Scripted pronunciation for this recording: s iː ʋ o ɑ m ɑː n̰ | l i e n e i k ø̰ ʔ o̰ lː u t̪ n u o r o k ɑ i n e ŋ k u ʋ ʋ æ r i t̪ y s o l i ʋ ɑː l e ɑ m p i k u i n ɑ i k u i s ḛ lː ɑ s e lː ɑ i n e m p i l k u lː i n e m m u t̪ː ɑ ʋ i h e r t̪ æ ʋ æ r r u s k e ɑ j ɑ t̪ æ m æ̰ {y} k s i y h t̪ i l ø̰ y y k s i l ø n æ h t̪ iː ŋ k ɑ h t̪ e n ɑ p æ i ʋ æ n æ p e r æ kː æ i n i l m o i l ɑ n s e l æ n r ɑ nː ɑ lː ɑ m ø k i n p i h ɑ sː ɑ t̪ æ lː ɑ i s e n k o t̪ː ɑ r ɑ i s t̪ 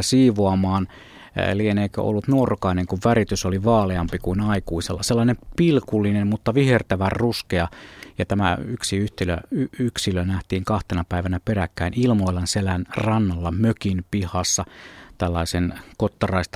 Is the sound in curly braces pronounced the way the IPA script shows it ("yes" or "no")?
yes